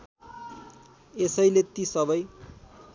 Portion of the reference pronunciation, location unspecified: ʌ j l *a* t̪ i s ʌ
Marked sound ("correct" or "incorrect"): incorrect